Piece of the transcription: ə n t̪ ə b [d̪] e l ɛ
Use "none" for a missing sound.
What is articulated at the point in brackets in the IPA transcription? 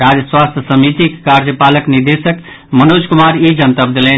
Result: d̪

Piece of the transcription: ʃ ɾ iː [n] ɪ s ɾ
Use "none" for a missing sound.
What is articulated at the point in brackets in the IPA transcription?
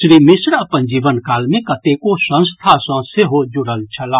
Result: m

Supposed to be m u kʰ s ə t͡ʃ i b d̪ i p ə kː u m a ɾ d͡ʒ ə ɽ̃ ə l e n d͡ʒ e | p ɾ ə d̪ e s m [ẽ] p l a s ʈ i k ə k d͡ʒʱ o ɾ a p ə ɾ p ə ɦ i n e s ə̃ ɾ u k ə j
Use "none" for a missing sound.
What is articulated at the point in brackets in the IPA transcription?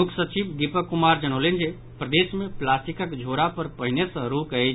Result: e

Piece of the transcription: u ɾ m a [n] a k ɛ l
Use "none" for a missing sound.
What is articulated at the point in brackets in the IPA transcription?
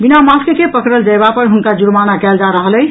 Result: n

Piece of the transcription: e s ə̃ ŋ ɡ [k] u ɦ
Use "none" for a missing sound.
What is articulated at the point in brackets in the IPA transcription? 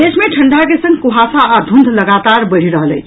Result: k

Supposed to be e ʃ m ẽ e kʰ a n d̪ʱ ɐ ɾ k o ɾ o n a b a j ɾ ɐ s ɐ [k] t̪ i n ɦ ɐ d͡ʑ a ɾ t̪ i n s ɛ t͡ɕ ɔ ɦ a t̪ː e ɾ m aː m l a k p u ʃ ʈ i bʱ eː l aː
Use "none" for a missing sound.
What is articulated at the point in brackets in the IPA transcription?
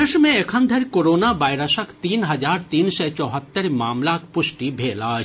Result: k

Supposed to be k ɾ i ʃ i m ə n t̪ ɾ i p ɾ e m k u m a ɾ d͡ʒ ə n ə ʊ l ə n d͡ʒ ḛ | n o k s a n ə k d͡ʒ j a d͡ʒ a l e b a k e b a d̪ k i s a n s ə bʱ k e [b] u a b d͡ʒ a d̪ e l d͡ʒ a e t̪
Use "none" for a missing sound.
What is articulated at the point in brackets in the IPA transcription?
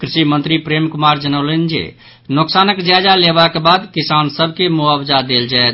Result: m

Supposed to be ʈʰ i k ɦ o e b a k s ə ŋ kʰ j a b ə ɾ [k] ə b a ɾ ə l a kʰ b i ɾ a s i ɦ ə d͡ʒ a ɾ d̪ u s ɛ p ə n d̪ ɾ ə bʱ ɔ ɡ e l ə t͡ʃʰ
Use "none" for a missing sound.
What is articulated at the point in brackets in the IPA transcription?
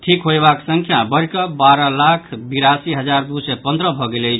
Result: k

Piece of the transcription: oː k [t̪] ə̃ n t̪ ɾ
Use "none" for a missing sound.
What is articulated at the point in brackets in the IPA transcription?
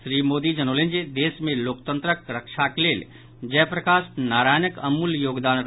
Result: t̪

